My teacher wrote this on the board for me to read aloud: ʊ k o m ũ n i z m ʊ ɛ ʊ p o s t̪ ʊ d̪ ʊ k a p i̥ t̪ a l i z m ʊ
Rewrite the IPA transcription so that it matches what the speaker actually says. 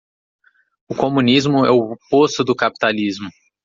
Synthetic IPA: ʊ k o m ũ n i z m ʊ ɛ ʊ p o s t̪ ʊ d̪ ʊ k a p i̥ t̪ a l i z m ʊ